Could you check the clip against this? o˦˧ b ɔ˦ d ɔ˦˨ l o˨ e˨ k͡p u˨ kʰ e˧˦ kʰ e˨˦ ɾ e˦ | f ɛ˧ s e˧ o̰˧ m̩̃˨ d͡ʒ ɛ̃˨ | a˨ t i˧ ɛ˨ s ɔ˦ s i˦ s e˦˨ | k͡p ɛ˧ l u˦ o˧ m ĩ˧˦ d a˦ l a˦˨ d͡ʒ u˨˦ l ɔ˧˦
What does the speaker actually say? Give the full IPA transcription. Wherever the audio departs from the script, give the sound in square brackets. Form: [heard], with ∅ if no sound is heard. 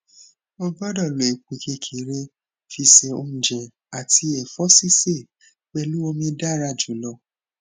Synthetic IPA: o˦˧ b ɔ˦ d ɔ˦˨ l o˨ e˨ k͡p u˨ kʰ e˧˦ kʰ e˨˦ ɾ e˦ | f [i˧] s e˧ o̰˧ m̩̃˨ d͡ʒ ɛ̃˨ | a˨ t i˧ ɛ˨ [f] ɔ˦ s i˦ s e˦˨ | k͡p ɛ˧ l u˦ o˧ m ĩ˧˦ d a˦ [ɾ] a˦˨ d͡ʒ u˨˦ l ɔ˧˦